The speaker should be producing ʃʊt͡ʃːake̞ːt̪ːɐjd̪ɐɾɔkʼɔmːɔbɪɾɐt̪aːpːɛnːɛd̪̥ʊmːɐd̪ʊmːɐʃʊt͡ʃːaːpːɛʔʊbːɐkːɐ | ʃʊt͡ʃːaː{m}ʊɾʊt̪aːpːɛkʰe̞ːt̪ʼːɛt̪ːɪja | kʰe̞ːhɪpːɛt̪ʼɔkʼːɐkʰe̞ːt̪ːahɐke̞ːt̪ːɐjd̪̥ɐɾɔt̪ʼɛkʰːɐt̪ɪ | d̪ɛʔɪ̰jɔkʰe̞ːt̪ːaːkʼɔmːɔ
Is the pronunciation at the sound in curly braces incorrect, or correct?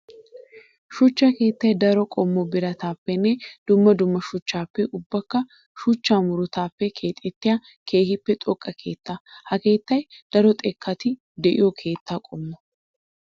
correct